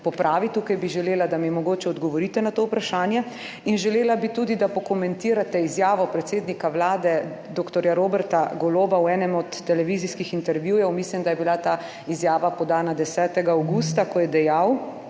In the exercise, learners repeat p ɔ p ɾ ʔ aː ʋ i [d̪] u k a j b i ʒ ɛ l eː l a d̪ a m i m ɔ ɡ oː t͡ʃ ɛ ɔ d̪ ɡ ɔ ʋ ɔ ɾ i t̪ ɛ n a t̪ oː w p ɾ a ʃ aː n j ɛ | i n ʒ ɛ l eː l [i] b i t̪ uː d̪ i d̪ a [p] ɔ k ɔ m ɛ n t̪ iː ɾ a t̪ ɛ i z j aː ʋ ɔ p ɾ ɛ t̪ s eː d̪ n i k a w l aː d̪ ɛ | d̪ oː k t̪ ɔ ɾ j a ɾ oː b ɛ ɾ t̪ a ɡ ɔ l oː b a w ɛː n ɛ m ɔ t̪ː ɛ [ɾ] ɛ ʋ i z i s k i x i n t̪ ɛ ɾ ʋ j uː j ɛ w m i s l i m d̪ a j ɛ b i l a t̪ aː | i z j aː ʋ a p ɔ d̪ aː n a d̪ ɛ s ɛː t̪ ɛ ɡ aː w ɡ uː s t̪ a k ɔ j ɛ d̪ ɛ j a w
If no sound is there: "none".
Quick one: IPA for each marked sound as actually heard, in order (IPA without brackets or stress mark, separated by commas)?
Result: t̪, a, p, l